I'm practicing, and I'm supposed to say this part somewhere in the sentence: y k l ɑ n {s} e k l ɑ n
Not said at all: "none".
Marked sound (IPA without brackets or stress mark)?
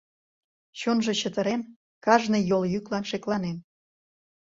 ʃ